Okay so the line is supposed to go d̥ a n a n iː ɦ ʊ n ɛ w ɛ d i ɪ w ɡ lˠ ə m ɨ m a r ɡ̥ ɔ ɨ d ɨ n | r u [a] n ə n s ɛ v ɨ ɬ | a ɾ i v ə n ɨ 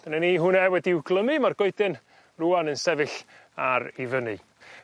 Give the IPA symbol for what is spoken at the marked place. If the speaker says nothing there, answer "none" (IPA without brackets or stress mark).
a